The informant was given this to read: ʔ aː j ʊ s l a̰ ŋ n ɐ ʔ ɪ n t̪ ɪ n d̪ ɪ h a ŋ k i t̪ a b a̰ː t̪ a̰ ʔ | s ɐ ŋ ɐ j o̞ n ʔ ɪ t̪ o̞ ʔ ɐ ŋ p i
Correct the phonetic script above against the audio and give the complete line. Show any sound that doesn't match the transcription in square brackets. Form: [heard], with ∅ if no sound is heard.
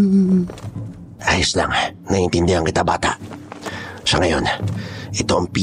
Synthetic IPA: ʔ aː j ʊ s l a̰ ŋ n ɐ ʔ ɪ n t̪ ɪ n d̪ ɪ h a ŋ k [ɪ] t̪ a b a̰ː t̪ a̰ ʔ | s ɐ ŋ ɐ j o̞ n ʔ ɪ t̪ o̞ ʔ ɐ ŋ p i